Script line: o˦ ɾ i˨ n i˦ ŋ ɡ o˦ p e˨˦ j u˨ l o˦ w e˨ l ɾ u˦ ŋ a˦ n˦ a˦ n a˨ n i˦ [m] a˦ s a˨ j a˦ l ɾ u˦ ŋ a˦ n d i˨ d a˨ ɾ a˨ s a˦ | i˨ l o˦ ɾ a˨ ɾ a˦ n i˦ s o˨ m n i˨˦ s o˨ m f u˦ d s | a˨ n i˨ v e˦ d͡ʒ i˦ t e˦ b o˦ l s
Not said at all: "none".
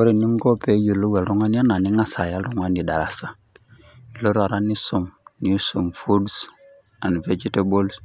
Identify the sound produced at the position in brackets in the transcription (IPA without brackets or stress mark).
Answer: ŋ